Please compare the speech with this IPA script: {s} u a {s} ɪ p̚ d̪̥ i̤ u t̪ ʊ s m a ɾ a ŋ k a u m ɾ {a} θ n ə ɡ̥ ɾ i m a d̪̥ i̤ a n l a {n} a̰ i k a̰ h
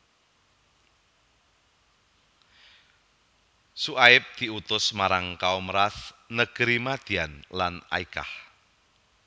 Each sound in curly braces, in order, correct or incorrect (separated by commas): correct, incorrect, correct, correct